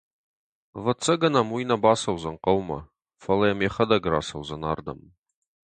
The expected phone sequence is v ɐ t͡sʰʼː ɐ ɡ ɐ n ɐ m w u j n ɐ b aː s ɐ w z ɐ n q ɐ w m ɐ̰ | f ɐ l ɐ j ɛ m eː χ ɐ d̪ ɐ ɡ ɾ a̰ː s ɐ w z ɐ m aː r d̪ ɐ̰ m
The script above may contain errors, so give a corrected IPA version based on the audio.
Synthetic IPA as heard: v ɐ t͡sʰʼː ɐ ɡ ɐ n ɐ m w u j n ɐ b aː s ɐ w z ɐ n q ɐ w m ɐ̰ | f ɐ l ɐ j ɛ m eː χ ɐ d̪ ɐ ɡ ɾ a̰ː s ɐ w z ɐ n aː r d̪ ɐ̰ m